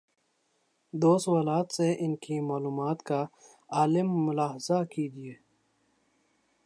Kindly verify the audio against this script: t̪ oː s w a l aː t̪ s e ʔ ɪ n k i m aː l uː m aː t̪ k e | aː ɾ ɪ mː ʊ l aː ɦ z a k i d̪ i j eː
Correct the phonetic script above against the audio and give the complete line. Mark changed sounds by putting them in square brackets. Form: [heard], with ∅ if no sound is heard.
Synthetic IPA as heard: [d̪] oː s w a l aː t̪ s e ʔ ɪ n k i m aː l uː m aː t̪ k [a] | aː [l] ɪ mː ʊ l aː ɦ z a k i d̪ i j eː